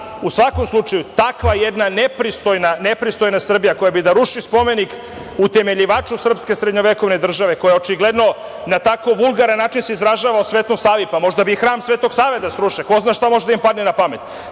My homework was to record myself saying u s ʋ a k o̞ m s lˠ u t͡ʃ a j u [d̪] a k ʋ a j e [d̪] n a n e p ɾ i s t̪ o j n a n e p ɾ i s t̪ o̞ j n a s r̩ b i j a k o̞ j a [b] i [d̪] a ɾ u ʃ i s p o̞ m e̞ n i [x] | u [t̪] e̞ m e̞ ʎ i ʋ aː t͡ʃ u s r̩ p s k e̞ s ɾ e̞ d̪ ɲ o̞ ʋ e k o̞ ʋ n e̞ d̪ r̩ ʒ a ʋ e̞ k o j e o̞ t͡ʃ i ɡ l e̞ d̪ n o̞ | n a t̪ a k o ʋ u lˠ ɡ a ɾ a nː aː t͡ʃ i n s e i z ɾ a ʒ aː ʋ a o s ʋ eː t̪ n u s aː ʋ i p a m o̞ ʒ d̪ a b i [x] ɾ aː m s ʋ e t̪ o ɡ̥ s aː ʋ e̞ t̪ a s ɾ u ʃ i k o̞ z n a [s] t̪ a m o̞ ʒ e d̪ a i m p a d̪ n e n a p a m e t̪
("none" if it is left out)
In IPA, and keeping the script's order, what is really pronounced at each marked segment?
t̪, d̪, b, d̪, k, t̪, x, ʃ

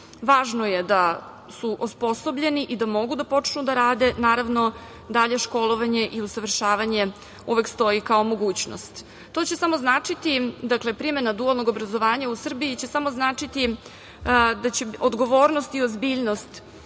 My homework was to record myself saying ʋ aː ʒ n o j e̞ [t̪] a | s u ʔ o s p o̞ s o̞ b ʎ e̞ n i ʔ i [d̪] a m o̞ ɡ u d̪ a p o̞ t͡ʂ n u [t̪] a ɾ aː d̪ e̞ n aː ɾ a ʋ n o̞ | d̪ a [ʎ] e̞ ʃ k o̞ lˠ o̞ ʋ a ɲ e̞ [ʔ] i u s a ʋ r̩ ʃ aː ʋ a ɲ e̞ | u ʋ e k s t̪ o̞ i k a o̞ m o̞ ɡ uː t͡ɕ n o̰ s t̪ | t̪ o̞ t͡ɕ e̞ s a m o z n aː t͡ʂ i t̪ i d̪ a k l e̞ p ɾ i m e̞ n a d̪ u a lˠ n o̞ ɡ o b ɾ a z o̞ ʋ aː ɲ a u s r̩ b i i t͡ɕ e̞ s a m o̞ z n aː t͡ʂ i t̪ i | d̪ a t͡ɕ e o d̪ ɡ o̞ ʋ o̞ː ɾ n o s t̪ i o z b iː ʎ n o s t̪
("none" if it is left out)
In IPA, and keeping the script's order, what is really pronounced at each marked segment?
d̪, d̪, d̪, ʎ, ʔ

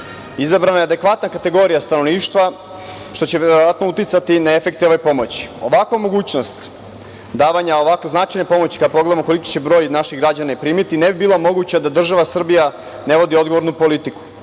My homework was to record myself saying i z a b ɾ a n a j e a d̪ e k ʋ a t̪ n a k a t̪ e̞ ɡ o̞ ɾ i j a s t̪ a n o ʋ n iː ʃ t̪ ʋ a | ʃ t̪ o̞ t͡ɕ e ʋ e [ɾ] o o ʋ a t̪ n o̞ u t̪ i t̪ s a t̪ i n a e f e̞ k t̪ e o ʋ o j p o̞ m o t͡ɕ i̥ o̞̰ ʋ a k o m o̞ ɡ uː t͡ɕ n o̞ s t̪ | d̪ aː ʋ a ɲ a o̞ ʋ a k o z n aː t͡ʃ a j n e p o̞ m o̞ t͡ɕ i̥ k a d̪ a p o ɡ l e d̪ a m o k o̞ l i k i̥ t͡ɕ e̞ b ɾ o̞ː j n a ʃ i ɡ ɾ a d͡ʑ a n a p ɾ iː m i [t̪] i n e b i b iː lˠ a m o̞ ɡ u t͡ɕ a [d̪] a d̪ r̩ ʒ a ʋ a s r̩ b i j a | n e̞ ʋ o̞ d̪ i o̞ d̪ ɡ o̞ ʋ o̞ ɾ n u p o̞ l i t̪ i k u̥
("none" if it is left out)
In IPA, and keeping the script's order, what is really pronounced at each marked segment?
ɾ, t̪, d̪

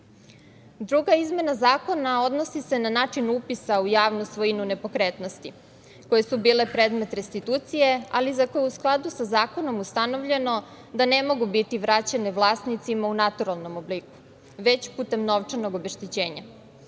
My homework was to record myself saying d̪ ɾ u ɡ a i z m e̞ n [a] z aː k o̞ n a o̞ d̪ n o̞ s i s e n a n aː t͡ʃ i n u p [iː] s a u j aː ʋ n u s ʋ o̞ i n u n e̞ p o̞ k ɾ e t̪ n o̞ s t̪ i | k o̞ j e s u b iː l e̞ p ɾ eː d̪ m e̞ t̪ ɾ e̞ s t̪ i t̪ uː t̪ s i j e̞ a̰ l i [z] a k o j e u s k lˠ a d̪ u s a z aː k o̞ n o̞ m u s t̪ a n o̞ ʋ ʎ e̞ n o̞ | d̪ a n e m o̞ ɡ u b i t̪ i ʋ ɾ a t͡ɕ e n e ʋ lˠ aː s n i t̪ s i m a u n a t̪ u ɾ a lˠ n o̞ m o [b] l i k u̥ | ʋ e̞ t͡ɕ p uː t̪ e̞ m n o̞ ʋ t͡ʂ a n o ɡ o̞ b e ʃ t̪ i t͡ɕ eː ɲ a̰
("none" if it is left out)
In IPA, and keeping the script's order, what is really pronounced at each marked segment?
a, i, z, b

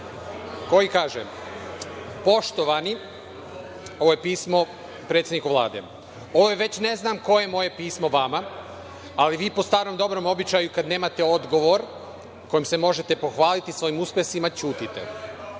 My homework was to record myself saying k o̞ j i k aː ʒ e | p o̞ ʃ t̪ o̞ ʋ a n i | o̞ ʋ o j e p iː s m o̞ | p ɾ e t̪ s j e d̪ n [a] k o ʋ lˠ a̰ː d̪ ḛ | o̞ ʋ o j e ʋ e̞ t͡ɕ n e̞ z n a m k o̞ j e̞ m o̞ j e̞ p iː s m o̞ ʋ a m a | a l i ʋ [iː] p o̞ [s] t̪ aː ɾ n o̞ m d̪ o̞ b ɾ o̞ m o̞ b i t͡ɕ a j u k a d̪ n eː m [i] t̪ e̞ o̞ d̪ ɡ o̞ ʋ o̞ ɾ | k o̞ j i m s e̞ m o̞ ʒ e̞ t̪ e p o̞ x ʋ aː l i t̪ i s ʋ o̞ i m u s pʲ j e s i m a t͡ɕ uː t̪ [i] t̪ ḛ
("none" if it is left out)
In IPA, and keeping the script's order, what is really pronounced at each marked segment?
i, iː, s, a, i

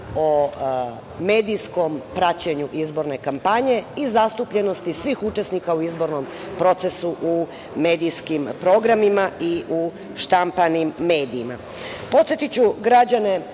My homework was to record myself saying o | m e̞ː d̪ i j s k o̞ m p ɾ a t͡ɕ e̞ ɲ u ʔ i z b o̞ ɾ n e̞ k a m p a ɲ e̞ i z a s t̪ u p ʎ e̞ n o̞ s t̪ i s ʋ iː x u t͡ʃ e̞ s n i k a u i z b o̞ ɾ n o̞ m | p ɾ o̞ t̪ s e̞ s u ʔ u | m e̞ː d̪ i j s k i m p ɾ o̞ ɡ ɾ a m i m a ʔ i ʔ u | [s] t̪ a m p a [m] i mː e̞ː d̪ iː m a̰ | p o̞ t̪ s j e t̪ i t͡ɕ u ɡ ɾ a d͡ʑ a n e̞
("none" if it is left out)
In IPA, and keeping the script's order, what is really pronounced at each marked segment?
ʃ, n

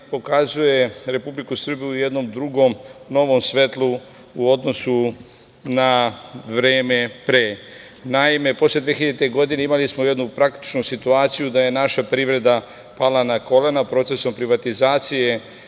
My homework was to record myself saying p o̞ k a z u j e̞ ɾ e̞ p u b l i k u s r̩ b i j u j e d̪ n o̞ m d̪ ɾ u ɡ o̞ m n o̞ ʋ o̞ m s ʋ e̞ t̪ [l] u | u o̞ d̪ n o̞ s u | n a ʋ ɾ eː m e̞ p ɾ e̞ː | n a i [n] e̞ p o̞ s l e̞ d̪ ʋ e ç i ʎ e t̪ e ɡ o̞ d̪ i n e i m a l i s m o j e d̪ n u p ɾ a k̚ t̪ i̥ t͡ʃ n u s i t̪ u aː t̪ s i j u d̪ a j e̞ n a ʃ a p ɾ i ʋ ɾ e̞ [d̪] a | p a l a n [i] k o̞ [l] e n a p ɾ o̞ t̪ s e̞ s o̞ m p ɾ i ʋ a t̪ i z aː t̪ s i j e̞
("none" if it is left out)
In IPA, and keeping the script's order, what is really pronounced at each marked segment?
l, m, d̪, a, l

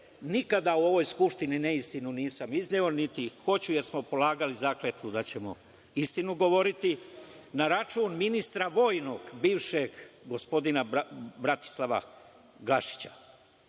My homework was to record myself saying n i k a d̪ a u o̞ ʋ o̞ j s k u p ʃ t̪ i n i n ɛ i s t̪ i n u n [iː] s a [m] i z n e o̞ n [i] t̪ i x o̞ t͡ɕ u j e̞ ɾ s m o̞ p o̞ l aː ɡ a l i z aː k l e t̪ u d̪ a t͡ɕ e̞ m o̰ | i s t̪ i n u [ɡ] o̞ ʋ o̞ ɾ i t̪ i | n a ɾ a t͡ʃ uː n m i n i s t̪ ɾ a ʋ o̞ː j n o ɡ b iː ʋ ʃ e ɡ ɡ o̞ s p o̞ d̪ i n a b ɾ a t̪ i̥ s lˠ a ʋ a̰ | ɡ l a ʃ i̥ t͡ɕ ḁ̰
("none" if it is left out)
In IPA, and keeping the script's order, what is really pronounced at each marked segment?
iː, m, i, ɡ

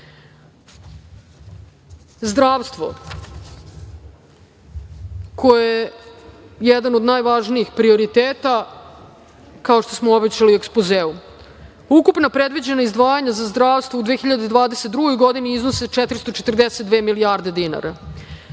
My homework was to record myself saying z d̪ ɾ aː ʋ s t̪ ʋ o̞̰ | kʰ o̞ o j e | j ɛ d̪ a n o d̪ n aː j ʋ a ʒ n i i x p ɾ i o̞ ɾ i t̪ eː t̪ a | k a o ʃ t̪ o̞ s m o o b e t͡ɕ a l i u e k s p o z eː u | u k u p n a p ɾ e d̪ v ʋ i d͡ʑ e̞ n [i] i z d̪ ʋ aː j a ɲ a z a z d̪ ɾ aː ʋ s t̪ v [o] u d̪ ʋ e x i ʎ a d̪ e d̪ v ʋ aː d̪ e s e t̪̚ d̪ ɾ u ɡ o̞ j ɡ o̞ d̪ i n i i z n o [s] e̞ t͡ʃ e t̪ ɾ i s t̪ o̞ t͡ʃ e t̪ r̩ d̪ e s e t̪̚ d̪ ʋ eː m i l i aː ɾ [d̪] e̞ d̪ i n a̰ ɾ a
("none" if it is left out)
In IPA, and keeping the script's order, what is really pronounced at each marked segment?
a, o, s, d̪

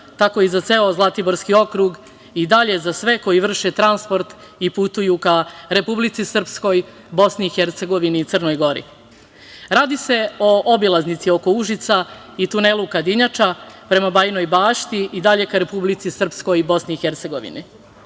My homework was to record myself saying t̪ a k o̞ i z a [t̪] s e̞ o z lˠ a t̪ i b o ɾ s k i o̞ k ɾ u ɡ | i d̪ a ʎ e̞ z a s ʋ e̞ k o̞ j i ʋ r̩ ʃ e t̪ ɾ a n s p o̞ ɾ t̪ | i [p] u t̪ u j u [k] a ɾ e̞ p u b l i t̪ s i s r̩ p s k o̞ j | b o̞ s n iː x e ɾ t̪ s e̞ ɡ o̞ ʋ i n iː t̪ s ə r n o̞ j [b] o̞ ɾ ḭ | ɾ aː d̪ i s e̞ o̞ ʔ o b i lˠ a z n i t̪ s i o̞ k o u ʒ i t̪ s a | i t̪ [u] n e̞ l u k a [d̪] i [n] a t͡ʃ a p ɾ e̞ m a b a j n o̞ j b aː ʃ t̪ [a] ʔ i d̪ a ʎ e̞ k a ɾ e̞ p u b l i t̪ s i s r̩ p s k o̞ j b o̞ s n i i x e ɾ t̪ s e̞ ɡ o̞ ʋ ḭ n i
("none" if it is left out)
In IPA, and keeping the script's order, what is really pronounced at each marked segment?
t̪, p, k, ɡ, u, d̪, ɲ, i

